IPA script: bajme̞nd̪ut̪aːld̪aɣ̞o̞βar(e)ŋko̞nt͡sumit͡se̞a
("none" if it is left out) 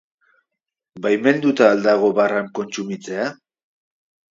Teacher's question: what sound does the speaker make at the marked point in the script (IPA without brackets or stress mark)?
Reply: a